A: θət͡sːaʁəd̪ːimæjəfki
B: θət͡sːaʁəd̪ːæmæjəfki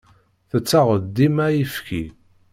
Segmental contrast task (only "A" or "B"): A